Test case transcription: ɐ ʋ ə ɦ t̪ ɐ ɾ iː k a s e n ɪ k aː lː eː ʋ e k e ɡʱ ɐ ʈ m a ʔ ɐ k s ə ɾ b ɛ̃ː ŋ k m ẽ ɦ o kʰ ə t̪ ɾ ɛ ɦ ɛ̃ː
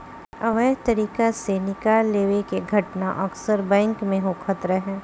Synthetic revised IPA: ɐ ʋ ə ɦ t̪ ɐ ɾ iː k a s e n ɪ k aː lː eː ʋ e k e ɡʱ ɐ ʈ n a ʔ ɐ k s ə ɾ b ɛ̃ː ŋ k m ẽ ɦ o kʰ ə t̪ ɾ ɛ ɦ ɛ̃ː